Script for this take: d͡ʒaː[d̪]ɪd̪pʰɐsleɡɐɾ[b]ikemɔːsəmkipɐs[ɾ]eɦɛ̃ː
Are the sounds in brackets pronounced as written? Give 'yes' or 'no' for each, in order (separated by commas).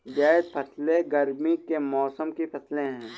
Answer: no, no, no